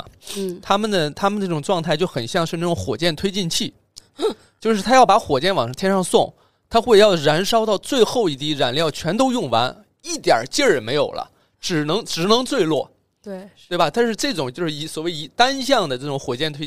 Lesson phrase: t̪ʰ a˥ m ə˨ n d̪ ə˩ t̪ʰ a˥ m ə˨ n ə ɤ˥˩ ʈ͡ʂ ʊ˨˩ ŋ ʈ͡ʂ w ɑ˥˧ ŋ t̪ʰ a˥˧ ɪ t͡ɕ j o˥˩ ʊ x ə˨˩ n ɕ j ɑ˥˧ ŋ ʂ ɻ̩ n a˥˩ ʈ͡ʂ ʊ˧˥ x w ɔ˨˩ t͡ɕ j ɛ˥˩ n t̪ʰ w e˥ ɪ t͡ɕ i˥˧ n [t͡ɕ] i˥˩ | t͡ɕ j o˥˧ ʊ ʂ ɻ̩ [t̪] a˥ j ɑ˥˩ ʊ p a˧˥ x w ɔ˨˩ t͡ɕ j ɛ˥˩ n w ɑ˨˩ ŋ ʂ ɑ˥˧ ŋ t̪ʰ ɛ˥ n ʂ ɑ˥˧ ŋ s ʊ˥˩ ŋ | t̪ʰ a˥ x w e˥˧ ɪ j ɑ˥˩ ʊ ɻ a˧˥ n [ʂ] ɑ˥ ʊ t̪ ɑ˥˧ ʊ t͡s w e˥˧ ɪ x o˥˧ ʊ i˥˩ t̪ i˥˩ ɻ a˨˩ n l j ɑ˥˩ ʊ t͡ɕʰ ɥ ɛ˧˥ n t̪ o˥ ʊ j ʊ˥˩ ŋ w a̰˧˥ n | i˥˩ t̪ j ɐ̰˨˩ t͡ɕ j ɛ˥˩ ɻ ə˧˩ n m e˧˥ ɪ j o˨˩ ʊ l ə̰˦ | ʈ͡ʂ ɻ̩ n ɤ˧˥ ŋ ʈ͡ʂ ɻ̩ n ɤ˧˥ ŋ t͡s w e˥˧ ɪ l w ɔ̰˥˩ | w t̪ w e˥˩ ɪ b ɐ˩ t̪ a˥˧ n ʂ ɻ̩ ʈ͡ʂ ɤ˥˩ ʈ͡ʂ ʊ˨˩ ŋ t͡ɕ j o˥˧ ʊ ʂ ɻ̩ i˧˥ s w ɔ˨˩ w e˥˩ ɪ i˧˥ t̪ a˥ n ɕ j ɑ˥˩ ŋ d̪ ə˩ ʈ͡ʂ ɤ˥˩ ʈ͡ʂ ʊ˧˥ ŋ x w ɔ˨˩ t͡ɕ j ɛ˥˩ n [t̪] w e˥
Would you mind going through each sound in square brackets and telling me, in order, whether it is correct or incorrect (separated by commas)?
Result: incorrect, incorrect, correct, incorrect